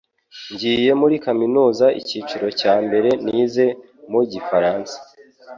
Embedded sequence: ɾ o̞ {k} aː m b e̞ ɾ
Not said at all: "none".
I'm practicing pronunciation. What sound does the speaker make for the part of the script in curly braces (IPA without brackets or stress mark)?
c